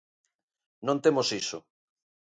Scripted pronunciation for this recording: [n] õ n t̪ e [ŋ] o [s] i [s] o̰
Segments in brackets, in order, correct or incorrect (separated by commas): correct, incorrect, correct, correct